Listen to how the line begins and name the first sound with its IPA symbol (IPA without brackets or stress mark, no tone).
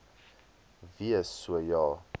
v